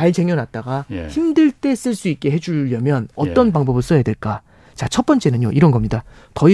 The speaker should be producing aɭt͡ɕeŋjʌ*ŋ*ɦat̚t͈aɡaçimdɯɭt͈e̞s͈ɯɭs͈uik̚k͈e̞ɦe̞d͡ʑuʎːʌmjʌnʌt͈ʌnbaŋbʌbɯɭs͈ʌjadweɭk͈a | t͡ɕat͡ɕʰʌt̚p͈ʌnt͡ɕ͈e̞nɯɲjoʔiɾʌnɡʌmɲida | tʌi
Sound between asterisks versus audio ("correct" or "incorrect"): incorrect